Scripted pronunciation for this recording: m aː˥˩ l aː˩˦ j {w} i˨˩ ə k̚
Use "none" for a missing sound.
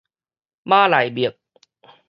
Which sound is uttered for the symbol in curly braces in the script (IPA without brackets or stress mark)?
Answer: b